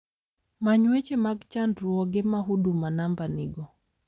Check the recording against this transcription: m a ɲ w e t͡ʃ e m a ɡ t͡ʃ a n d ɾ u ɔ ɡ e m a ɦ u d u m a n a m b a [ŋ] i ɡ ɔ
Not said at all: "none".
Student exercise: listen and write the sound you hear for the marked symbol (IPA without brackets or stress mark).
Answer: n